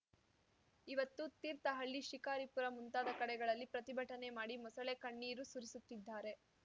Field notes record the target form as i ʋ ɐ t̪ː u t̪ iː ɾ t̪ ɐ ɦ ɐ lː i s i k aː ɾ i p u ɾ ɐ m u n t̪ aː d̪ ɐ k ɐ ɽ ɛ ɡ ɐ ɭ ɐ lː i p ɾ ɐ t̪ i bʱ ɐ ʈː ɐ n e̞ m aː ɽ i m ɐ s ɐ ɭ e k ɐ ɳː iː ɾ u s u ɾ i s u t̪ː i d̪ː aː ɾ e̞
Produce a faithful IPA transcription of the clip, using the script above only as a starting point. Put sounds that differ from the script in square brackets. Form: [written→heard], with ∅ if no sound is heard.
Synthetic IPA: i ʋ ɐ t̪ː u t̪ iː ɾ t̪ ɐ ɦ ɐ [lː→ɭː] i [s→ʃ] i k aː ɾ i p u ɾ ɐ m u n t̪ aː d̪ ɐ k ɐ ɽ ɛ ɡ ɐ ɭ ɐ lː i p ɾ ɐ t̪ i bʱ ɐ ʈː ɐ n e̞ m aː ɽ i m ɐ s ɐ ɭ e k ɐ ɳː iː ɾ u s u ɾ i s u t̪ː i d̪ː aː ɾ e̞